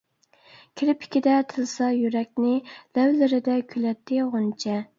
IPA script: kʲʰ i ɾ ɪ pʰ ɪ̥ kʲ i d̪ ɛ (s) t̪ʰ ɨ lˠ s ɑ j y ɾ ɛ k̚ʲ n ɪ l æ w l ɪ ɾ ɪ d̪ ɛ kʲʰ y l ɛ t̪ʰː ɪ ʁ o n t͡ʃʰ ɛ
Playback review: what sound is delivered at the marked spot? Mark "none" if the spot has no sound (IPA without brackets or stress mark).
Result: none